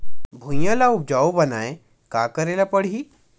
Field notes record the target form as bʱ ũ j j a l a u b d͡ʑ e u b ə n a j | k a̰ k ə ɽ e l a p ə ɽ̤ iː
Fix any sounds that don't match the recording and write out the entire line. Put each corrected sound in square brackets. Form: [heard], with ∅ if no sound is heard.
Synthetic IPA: bʱ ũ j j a l a u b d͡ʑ [a] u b ə n a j | k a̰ k ə [ɾ] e l a p ə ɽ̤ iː